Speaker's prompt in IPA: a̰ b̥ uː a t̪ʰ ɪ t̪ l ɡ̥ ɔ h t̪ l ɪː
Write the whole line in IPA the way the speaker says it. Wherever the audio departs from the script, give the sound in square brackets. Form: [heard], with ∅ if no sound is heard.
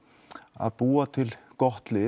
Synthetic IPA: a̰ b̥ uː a t̪ʰ ɪ [∅] l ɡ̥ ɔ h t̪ l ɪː